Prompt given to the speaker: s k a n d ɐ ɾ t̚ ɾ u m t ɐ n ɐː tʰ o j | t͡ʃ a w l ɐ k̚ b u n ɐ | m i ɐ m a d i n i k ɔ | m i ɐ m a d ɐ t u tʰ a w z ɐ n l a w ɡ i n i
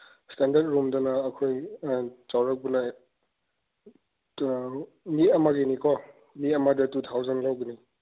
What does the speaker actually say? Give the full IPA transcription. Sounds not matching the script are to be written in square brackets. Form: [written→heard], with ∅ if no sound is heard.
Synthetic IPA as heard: s [k→t] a n d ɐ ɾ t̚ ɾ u m [t→d] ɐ n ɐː [tʰ→kʰ] o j | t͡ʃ a w [l→ɾ] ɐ k̚ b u n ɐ | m i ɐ m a [d→ɡ] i n i k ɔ | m i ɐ m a d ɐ t u tʰ a w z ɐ n l a w ɡ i n i